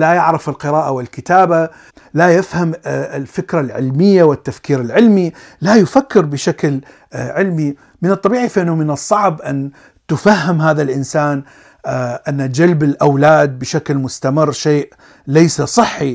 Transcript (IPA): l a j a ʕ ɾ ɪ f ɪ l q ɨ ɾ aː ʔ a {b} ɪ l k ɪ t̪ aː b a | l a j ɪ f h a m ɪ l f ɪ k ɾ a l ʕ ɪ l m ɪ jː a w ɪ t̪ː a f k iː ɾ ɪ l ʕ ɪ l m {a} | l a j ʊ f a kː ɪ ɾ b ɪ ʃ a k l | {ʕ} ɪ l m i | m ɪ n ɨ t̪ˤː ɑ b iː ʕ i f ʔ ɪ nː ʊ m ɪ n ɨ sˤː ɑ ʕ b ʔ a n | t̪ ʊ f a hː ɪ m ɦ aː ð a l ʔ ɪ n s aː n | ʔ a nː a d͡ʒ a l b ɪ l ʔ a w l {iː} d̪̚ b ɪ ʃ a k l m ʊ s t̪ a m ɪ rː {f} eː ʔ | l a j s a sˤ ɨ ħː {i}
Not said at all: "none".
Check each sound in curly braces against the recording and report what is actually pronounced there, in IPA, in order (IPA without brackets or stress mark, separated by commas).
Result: w, i, ʕ, aː, ʃ, i